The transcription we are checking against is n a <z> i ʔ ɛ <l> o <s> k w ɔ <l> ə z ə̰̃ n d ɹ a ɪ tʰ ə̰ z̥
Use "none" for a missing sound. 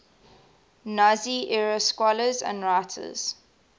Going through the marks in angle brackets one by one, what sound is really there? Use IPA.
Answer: z, ɹ, s, l

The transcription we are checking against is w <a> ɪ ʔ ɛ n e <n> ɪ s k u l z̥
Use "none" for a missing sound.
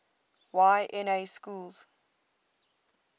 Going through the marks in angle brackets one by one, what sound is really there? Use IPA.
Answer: a, none

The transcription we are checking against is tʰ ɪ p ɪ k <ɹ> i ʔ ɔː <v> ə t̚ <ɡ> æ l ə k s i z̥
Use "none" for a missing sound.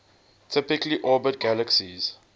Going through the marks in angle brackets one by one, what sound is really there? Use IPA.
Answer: l, b, ɡ

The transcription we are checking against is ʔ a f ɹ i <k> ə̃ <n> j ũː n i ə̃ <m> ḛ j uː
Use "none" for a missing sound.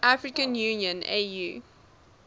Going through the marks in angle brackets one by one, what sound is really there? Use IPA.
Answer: k, n, n

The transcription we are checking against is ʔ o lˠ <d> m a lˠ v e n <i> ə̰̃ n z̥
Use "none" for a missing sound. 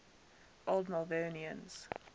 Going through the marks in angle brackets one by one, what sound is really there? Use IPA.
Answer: d, i

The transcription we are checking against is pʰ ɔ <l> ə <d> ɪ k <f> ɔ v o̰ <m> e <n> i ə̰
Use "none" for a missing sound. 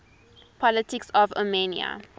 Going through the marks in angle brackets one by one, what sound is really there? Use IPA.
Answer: l, t, s, m, n

